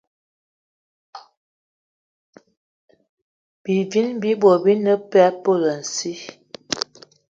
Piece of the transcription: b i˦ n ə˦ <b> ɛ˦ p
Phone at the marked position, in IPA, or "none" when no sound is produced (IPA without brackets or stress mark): p